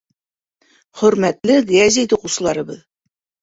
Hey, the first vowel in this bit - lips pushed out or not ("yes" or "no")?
yes